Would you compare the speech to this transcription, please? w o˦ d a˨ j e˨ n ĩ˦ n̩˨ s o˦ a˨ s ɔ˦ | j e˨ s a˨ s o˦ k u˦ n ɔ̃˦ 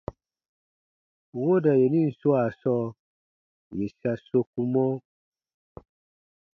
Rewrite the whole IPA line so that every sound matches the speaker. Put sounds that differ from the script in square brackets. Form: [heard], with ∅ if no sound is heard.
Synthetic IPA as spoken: w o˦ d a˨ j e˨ n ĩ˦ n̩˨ s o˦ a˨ s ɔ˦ | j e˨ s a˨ s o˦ k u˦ [m] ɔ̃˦